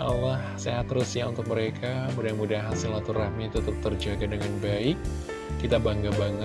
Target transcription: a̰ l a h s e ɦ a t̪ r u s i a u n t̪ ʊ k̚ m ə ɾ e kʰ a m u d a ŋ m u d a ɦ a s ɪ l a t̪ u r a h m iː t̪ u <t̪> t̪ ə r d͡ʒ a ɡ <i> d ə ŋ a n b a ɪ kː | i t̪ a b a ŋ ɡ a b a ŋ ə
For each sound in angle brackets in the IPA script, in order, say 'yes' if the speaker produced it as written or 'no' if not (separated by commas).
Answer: yes, no